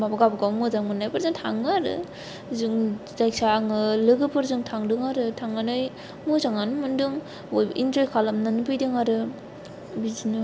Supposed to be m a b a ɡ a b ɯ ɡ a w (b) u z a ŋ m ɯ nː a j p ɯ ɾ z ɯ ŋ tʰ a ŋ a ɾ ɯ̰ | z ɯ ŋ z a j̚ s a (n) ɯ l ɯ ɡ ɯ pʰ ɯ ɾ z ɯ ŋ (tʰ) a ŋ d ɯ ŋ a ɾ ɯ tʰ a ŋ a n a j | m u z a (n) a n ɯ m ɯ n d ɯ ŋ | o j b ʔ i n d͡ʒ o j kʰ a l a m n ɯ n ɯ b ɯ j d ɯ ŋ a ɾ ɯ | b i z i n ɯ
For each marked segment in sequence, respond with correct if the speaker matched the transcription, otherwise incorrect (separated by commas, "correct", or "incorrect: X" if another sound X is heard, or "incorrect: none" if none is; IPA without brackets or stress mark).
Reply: incorrect: m, incorrect: ŋ, correct, incorrect: ŋ